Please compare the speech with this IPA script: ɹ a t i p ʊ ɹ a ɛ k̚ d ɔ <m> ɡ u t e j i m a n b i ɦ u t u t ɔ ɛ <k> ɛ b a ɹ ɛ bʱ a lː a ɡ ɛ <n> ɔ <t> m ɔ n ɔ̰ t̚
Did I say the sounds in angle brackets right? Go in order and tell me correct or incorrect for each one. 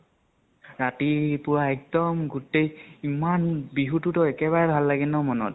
correct, correct, correct, incorrect: none

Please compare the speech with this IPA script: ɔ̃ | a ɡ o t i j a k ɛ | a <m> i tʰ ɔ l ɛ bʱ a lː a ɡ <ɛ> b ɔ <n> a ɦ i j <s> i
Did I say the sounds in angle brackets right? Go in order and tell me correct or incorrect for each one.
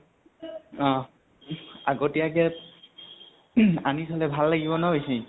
incorrect: n, incorrect: i, correct, correct

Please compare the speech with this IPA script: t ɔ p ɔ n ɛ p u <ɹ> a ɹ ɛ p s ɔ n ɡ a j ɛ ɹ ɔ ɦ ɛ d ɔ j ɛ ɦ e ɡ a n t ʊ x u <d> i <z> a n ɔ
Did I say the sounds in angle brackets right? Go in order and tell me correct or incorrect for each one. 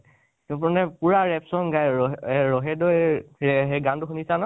correct, incorrect: n, incorrect: s

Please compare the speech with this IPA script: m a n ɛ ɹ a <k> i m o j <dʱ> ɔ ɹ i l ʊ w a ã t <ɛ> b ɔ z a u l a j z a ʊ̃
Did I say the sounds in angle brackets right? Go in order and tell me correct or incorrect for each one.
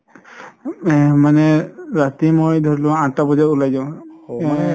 incorrect: t, correct, incorrect: a

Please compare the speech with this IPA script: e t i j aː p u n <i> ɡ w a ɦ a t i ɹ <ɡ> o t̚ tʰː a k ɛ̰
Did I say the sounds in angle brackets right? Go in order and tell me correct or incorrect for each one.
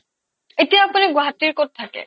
correct, incorrect: k

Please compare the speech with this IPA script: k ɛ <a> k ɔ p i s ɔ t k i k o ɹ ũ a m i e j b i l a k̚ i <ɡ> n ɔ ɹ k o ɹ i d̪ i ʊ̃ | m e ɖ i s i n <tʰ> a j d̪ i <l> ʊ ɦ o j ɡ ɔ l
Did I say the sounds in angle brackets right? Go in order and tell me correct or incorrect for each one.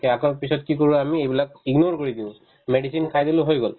correct, correct, incorrect: kʰ, correct

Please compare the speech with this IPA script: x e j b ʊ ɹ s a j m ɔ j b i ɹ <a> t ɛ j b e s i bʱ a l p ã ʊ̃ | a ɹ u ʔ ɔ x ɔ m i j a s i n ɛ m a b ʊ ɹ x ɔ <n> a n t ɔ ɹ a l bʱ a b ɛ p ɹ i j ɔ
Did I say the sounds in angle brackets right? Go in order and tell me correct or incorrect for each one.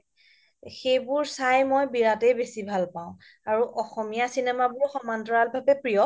correct, incorrect: m

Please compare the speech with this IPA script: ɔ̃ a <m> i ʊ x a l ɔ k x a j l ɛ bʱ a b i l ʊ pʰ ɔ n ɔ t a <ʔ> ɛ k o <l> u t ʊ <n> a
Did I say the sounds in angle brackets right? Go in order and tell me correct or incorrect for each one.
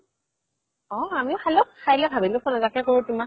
correct, incorrect: k, incorrect: ɹ, incorrect: m

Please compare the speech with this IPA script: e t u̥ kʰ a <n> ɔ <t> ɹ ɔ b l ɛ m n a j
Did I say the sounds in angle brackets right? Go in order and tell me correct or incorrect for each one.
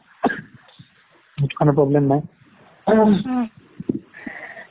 correct, incorrect: p

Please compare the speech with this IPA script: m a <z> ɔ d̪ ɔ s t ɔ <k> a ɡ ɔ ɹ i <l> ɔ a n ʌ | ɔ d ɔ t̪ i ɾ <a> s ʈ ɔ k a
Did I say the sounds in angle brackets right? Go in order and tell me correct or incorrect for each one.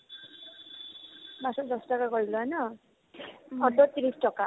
incorrect: s, correct, correct, incorrect: i

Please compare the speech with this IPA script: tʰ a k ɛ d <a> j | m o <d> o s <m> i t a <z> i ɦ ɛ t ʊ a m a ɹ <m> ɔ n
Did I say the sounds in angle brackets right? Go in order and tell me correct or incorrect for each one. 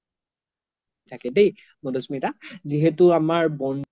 incorrect: e, correct, correct, correct, incorrect: b

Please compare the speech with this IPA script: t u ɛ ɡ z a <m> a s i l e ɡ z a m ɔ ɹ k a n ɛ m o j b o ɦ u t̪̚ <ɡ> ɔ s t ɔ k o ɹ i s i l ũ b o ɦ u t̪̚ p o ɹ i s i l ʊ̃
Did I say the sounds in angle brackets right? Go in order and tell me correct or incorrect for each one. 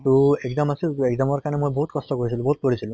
correct, incorrect: k

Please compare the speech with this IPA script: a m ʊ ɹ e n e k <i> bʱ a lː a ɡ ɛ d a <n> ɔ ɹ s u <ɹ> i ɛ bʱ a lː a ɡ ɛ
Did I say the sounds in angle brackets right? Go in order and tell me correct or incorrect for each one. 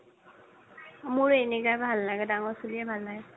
incorrect: a, incorrect: ŋ, incorrect: l

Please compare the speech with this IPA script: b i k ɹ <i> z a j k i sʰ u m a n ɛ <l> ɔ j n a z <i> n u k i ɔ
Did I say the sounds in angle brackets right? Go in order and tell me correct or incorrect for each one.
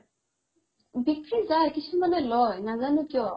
correct, correct, incorrect: a

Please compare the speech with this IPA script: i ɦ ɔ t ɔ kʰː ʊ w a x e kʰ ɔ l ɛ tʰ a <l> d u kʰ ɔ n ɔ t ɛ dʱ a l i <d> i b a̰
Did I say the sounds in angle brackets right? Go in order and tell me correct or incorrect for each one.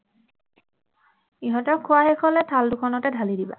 correct, correct

